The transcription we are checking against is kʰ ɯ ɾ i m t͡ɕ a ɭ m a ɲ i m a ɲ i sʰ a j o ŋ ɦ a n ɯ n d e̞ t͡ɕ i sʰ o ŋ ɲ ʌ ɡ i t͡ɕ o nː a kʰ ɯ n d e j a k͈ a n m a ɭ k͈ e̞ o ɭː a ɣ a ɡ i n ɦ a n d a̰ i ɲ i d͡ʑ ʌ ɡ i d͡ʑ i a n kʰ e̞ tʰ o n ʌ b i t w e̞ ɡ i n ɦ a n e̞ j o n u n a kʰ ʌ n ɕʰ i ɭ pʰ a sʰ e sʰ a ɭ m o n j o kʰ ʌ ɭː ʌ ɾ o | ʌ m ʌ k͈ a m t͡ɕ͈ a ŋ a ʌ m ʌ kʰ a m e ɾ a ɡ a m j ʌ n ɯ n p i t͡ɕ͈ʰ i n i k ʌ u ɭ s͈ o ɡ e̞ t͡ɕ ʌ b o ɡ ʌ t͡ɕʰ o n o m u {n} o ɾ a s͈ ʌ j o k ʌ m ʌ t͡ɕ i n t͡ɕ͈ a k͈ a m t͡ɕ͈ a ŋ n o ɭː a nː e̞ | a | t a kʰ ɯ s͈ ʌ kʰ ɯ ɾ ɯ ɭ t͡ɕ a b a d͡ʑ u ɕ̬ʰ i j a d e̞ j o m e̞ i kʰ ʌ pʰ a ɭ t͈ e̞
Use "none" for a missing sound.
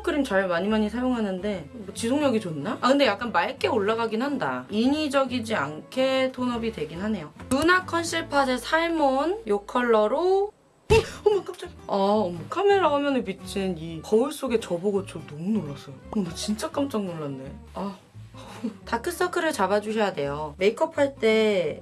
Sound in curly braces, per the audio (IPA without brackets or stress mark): n